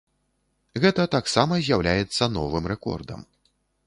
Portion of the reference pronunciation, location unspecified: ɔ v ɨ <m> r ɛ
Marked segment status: correct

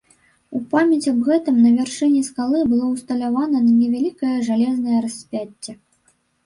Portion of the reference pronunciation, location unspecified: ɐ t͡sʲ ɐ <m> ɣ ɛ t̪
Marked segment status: incorrect: b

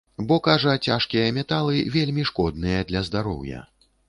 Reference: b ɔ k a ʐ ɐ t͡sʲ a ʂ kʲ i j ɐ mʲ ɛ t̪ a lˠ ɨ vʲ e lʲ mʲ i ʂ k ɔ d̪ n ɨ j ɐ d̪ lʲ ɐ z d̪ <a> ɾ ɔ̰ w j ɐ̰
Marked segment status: correct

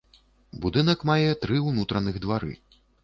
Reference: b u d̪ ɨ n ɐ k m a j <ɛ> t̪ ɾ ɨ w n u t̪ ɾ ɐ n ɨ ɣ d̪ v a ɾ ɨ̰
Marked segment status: correct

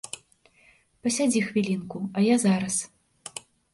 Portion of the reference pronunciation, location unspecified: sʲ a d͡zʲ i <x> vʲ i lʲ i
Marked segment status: correct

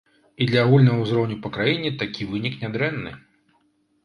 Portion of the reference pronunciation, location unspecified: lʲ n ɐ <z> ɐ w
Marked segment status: incorrect: ɣ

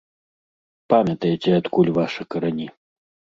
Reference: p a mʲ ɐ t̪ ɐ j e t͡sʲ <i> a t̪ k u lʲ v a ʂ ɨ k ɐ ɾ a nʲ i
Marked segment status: incorrect: ɛ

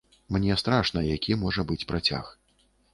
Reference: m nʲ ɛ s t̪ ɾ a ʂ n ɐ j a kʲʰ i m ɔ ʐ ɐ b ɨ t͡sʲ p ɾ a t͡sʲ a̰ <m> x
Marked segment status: incorrect: none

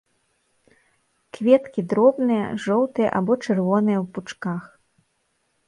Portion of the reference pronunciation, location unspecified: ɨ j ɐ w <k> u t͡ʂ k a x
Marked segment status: incorrect: p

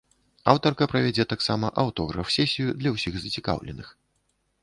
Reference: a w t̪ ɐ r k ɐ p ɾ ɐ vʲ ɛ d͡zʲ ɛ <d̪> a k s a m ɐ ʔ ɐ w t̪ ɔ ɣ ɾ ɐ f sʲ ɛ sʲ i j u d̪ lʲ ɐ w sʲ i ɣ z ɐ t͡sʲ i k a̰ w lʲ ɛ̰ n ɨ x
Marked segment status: incorrect: t̪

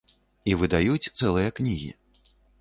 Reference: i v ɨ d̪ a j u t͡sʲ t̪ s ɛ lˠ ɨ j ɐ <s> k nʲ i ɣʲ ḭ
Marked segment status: incorrect: none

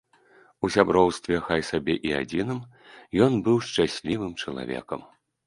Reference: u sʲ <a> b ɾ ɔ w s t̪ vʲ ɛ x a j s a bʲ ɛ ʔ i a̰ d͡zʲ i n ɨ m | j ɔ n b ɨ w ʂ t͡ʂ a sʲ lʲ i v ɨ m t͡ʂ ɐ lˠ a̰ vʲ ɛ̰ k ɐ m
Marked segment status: correct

